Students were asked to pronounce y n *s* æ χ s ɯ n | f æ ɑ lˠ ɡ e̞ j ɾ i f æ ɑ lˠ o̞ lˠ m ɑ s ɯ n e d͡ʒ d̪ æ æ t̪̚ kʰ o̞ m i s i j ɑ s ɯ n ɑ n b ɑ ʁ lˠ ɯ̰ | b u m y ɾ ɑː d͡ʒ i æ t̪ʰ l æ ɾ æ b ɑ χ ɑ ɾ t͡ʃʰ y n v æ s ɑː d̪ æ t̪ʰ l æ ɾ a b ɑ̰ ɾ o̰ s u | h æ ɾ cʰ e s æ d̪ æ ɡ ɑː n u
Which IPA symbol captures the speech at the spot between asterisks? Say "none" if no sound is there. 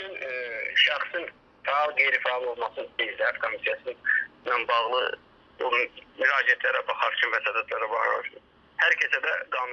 ʃ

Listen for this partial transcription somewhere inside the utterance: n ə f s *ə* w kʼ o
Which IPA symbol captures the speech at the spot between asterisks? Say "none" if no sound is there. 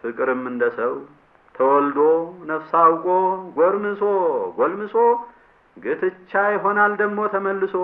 a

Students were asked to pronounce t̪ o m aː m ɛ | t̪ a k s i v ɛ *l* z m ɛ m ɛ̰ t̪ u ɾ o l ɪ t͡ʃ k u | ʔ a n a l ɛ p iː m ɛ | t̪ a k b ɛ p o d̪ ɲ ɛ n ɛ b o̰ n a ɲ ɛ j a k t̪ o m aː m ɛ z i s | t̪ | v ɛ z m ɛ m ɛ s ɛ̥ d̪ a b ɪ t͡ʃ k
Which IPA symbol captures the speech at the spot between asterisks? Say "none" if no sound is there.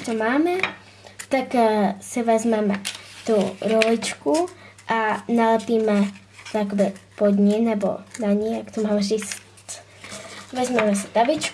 none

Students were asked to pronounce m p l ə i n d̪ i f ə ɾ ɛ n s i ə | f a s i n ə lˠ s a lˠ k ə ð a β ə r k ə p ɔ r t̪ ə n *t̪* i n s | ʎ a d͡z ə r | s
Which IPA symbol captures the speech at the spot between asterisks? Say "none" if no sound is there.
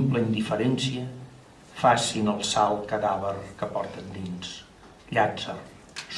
d̪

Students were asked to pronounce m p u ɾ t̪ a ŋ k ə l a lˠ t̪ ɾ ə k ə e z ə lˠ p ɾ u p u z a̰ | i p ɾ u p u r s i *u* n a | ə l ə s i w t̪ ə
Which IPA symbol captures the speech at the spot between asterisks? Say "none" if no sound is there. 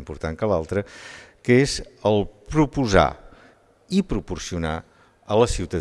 u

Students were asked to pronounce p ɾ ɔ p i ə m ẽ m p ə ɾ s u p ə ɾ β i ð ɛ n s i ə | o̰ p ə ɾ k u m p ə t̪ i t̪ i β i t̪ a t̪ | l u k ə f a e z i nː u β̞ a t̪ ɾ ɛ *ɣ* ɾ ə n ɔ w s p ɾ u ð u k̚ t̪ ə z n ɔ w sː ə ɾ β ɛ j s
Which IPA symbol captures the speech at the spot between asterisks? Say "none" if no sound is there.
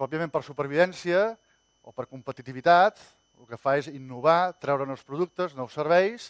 w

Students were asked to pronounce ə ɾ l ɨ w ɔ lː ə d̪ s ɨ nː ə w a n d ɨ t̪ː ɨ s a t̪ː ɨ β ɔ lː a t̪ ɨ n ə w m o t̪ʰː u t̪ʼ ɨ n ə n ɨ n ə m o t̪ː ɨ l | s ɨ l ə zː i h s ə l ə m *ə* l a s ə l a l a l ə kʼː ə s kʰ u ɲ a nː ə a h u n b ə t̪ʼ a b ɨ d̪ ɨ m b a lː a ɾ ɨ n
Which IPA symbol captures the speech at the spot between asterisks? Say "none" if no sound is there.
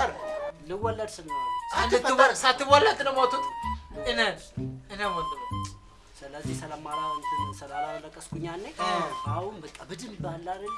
a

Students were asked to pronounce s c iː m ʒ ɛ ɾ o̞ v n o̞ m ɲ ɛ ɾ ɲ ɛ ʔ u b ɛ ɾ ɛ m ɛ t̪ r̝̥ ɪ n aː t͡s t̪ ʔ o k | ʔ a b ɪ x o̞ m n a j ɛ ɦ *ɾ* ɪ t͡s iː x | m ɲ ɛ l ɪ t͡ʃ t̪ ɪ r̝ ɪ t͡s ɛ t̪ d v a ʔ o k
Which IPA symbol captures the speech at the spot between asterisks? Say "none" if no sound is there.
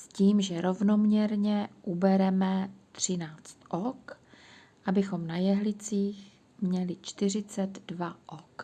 l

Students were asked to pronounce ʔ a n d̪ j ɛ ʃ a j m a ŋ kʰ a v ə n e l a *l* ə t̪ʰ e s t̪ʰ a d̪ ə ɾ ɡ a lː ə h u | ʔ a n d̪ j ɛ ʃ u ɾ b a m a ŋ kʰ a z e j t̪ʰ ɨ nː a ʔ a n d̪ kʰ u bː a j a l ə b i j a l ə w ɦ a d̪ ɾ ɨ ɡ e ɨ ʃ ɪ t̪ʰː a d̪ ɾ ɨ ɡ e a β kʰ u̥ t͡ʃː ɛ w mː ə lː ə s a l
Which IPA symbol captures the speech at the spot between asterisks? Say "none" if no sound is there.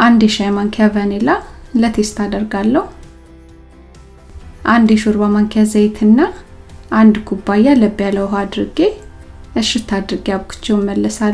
l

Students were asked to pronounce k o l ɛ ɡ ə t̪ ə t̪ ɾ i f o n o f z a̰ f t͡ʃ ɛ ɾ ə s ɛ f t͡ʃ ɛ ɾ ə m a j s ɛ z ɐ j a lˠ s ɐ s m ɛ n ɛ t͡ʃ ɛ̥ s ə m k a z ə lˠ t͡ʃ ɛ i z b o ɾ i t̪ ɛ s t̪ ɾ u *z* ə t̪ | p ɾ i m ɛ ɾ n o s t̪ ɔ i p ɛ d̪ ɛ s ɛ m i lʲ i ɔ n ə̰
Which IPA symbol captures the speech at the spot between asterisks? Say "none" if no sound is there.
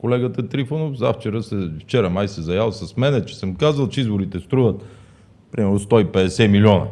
v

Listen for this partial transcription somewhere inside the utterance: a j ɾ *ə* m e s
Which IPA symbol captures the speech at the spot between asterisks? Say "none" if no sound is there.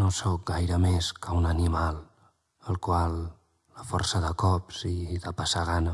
ə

